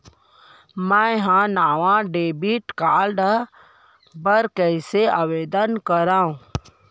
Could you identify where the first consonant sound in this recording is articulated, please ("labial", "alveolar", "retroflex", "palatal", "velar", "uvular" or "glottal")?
labial